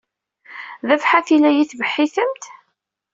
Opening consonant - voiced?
yes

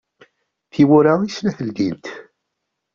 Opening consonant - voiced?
no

